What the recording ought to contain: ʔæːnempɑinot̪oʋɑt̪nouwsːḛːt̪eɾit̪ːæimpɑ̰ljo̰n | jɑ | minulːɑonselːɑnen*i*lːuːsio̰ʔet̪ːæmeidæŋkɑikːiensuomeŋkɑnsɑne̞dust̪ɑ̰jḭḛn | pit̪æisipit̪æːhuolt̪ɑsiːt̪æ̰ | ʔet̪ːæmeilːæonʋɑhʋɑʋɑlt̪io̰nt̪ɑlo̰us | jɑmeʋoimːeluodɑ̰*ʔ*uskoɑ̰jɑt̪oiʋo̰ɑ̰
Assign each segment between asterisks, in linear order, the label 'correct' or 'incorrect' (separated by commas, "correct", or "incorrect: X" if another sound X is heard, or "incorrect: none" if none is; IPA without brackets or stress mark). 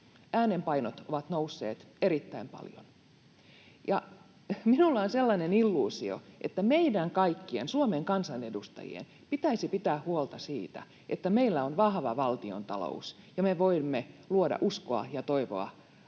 correct, correct